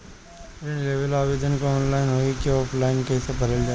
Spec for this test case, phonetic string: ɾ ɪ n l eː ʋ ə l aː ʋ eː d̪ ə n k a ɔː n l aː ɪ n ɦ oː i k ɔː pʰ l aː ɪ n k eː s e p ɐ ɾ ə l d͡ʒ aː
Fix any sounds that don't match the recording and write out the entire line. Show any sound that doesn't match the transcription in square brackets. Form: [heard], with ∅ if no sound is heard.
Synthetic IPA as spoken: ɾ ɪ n l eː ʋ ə l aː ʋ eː d̪ ə n k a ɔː n l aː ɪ n ɦ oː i k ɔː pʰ l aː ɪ n k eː s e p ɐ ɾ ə l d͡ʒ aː

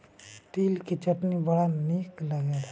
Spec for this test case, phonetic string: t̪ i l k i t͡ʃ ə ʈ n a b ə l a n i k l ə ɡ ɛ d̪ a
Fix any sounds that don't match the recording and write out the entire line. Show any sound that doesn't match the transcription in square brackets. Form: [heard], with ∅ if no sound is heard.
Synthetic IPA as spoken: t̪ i l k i t͡ʃ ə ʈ n [i] b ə [ɽ] a n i k l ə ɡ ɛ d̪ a

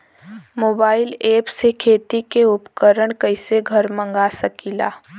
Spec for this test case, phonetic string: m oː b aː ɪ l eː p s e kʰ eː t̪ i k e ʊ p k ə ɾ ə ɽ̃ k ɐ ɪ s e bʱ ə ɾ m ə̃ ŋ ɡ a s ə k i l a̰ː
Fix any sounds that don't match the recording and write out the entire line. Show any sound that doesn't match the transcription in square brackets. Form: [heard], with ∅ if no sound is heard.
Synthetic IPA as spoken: m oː b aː ɪ l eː p s e kʰ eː t̪ i k e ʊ p k ə ɾ ə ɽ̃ k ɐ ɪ s e [ɡʱ] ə ɾ m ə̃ ŋ ɡ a s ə k i l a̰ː

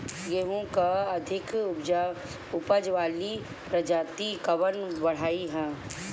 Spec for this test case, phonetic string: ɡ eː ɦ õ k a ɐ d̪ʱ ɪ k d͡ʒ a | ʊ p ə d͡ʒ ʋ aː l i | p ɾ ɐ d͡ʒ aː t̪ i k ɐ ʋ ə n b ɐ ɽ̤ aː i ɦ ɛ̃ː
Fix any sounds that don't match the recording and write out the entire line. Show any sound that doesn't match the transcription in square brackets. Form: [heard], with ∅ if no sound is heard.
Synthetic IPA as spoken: ɡ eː ɦ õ k a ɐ d̪ʱ ɪ k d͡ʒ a | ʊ p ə d͡ʒ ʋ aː l i | p ɾ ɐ d͡ʒ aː t̪ i k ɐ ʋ ə n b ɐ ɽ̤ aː i ɦ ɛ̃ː

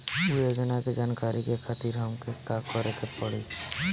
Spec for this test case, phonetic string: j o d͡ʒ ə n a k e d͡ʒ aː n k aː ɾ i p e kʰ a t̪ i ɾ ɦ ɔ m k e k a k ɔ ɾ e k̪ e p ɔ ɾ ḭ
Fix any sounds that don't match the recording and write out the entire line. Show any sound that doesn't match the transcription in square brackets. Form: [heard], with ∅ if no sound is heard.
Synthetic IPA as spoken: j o d͡ʒ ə n a k e d͡ʒ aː n k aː ɾ i [k] e kʰ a t̪ i ɾ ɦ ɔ m k e k a k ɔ ɾ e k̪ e p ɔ [ɽ] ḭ

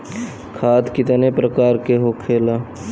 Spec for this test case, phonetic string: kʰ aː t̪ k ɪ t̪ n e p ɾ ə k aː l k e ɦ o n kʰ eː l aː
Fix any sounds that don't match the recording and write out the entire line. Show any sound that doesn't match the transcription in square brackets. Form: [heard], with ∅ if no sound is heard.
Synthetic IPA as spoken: kʰ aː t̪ k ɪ t̪ n e p ɾ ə k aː [ɾ] k e ɦ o [∅] kʰ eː l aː

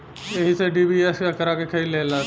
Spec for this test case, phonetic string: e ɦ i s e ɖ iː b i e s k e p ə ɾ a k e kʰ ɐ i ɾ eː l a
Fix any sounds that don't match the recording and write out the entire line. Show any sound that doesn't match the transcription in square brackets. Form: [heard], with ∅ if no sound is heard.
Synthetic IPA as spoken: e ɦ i s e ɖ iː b i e s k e [k] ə ɾ a k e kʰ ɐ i [l] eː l a

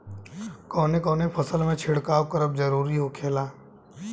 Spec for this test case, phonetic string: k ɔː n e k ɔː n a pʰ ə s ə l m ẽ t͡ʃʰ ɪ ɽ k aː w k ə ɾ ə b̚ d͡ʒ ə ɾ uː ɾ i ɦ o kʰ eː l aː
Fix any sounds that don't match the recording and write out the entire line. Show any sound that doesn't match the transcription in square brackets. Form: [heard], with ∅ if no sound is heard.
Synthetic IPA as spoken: k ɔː n e k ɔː n [e] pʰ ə s ə l m ẽ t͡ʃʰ ɪ ɽ k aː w k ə ɾ ə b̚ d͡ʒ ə ɾ uː ɾ i ɦ o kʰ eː l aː

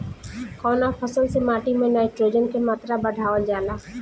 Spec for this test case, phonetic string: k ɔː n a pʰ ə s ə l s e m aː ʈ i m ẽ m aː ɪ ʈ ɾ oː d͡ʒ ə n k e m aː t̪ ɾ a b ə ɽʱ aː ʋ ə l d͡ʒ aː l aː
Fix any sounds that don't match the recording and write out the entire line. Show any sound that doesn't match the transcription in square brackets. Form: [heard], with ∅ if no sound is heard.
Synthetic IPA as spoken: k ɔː n a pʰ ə s ə l s e m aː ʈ i m ẽ [n] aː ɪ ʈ ɾ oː d͡ʒ ə n k e m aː t̪ ɾ a b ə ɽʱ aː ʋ ə l d͡ʒ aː l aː

